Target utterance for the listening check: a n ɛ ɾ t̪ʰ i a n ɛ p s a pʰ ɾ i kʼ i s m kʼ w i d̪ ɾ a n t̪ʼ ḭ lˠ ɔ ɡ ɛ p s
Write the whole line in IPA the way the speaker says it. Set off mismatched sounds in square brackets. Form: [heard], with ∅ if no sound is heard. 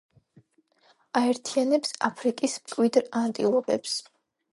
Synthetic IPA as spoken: a [∅] ɛ ɾ t̪ʰ i a n ɛ p s a pʰ ɾ i kʼ i s m kʼ w i d̪ ɾ a n t̪ʼ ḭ lˠ ɔ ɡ ɛ p s